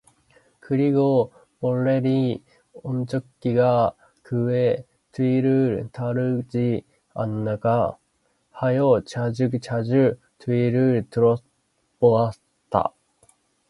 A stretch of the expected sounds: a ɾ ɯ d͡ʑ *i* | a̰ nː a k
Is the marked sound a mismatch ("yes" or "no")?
no